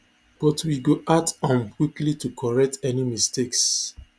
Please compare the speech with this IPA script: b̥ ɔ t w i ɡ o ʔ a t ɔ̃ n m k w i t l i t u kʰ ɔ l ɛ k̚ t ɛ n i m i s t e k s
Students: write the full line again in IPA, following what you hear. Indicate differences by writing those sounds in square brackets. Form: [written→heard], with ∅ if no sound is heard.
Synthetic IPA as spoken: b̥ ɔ t w i ɡ o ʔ a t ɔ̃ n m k w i [t→k] l i t u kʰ ɔ [l→ɹ] ɛ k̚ t ɛ n i m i s t e k s